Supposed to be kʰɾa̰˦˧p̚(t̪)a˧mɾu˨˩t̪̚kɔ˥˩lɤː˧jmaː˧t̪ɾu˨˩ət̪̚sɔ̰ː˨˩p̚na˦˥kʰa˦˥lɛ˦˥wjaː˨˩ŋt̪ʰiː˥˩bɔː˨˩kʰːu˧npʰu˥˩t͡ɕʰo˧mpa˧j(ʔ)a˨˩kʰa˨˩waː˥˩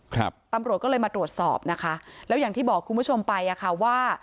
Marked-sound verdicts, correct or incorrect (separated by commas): correct, correct